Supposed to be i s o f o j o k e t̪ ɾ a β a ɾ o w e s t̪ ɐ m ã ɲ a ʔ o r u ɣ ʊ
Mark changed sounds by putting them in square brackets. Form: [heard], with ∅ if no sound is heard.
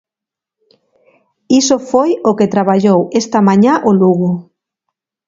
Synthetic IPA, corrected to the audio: i s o f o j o k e t̪ ɾ a β a [ʎ] o w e s t̪ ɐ m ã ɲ a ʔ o [l] u ɣ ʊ